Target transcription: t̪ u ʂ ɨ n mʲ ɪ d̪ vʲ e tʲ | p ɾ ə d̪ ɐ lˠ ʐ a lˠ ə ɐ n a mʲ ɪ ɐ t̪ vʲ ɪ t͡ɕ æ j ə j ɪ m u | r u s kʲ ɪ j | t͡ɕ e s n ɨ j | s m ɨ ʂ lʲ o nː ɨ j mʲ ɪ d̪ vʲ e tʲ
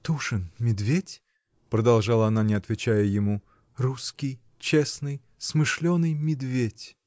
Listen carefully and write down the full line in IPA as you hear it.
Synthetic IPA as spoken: t̪ u ʂ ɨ n mʲ ɪ d̪ vʲ e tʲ | p ɾ ə d̪ ɐ lˠ ʐ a lˠ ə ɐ n a nʲ ɪ ɐ t̪ vʲ ɪ t͡ɕ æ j ə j ɪ m u | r u s kʲ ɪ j | t͡ɕ e s n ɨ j | s m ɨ ʂ lʲ o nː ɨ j mʲ ɪ d̪ vʲ e tʲ